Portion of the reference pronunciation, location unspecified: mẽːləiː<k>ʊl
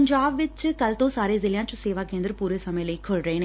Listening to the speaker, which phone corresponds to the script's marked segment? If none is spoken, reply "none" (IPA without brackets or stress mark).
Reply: kʰ